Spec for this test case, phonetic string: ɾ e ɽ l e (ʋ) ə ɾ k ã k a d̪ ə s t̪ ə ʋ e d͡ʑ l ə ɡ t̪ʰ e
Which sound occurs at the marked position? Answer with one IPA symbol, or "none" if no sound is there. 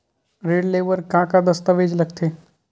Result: ʋ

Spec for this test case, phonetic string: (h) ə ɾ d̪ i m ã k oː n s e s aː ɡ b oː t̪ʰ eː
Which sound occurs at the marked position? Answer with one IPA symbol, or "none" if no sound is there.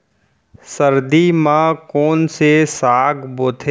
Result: s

